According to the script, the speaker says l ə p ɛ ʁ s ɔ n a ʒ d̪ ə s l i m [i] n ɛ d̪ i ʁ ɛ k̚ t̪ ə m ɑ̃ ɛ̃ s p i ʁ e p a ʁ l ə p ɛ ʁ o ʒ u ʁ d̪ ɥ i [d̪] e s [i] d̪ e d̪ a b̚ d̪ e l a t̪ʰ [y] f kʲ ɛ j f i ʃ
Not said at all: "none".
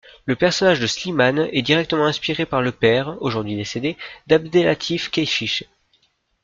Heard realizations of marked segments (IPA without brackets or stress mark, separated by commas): a, d̪, e, i